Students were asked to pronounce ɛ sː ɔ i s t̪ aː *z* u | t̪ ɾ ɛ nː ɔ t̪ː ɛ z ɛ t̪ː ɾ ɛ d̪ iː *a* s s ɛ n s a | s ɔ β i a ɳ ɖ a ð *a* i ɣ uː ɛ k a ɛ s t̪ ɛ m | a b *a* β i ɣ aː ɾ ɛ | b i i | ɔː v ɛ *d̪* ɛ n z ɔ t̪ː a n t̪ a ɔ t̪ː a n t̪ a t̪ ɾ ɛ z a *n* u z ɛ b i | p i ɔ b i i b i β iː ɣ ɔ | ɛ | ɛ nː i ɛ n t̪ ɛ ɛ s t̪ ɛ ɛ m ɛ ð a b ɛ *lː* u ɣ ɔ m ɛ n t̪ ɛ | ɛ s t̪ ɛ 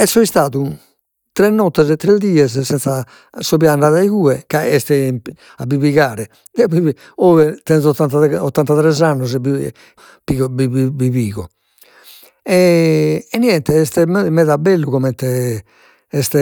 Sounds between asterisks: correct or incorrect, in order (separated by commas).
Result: incorrect, incorrect, correct, incorrect, incorrect, incorrect, correct